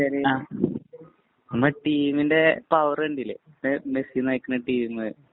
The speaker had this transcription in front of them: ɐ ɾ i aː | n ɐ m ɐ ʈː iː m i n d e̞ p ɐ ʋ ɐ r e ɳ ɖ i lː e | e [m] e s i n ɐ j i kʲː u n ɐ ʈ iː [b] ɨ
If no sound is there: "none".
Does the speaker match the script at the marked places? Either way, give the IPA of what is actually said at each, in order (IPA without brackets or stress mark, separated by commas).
m, m